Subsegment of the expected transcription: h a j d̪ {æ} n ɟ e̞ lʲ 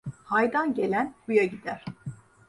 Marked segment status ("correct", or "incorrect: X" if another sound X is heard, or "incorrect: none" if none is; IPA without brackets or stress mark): incorrect: a